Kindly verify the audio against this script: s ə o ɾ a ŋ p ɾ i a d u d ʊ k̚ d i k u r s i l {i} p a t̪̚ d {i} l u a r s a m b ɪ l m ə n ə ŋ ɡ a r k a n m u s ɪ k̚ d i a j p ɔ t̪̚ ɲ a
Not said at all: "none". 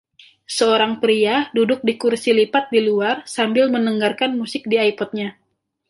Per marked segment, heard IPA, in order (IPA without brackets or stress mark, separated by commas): i, i